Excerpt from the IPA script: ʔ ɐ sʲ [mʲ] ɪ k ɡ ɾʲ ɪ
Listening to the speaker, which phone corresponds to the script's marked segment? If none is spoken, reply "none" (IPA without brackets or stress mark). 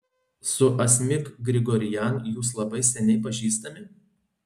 mʲ